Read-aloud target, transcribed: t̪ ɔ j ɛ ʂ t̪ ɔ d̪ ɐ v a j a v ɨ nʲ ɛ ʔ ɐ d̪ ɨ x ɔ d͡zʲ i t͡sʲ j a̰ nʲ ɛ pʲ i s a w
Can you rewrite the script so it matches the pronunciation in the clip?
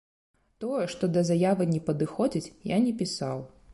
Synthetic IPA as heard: t̪ ɔ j ɛ ʂ t̪ ɔ d̪ ɐ z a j a v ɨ nʲ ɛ p ɐ d̪ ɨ x ɔ d͡zʲ i t͡sʲ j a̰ nʲ ɛ pʲ i s a w